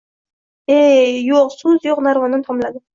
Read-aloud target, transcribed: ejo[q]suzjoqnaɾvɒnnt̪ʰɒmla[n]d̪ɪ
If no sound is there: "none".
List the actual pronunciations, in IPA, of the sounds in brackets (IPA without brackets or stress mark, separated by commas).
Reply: q, none